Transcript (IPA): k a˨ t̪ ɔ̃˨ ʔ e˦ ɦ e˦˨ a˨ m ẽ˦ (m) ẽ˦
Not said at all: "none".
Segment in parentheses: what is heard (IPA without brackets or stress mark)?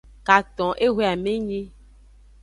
ɲ